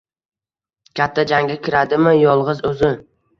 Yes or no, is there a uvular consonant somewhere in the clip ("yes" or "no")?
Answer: yes